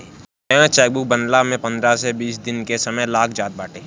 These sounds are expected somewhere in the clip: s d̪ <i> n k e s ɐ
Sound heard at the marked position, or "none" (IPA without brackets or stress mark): ɪ